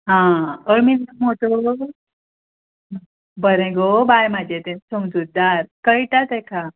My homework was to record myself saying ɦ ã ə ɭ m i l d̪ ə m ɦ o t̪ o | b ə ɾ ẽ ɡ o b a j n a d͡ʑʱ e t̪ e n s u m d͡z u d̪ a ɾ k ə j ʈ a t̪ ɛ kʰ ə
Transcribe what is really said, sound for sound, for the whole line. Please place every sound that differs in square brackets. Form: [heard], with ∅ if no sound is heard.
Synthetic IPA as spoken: ɦ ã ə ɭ m i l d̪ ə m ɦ o t̪ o | b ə ɾ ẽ ɡ o b a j [m] a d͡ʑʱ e t̪ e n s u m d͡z u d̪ a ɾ k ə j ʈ a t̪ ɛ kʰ [a]